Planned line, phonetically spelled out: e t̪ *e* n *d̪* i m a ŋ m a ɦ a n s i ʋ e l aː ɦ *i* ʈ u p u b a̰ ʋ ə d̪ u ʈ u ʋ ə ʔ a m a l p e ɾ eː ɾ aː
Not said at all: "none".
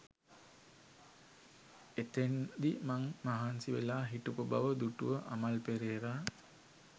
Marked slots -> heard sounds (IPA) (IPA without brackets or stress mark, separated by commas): e, d̪, i